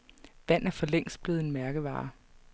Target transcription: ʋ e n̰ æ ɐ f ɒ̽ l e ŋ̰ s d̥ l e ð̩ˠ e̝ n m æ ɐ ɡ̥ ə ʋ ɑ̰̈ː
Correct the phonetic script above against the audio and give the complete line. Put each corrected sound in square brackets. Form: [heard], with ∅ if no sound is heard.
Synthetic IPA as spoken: ʋ [æ] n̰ æ ɐ f ɒ̽ l e ŋ̰ s [b̥] l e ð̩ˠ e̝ n m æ ɐ ɡ̥ ə ʋ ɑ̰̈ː